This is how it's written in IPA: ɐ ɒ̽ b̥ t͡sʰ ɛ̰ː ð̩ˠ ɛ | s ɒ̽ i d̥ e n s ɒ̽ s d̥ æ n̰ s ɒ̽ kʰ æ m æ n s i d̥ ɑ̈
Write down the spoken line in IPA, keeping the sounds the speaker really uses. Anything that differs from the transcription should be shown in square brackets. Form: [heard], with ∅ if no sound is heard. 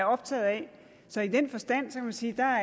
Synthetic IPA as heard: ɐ ɒ̽ b̥ t͡sʰ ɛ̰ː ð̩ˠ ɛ | s ɒ̽ i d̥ e n [f] ɒ̽ s d̥ æ n̰ s ɒ̽ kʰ æ m æ n s [iː] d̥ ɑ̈